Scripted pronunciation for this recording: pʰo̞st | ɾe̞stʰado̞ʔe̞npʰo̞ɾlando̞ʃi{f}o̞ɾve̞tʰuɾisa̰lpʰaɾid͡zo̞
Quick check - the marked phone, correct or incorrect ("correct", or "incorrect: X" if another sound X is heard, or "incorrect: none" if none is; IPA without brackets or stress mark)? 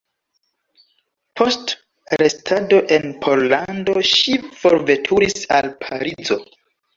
correct